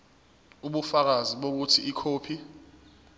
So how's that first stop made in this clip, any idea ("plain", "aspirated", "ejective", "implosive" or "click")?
implosive